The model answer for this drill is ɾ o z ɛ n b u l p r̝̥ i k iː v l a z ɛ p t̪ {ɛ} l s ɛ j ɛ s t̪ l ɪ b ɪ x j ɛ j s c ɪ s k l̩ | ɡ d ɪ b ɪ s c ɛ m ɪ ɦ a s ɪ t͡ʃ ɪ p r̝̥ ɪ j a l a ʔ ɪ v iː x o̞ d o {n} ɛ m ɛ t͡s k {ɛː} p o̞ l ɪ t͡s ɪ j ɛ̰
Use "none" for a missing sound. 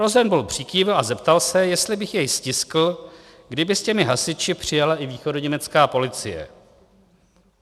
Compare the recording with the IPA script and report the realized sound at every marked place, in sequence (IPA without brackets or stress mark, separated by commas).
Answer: a, ɲ, aː